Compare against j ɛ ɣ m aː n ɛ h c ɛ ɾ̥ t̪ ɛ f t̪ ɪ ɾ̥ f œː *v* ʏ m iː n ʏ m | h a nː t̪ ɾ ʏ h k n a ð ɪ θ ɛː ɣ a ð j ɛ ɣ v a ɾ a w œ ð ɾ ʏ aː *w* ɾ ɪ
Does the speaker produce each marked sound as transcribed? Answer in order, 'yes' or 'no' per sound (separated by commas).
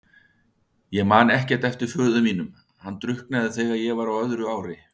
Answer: no, yes